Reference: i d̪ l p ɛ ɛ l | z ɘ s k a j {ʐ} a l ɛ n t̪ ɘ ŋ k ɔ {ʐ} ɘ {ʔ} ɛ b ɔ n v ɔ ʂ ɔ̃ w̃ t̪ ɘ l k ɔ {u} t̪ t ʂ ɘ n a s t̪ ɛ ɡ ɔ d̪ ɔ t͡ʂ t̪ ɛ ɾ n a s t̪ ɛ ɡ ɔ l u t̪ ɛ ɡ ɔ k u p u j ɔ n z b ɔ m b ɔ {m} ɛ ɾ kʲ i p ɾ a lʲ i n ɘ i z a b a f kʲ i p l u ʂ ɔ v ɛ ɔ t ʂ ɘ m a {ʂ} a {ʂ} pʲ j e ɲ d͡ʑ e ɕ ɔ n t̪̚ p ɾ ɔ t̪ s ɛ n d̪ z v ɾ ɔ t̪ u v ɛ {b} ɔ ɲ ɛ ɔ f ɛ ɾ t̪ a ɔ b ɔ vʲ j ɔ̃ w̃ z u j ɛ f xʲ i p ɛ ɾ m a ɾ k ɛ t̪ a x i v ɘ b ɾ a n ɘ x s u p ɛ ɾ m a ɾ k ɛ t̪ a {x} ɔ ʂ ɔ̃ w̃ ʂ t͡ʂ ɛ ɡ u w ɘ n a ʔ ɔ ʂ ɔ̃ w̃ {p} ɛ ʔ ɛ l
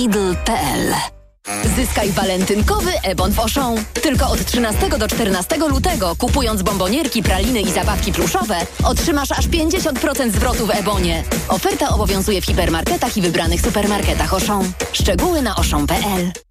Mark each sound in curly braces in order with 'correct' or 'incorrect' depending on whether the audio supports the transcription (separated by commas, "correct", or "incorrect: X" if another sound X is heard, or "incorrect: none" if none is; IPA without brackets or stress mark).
incorrect: v, incorrect: v, correct, incorrect: ɔ, incorrect: ɲ, correct, correct, correct, correct, correct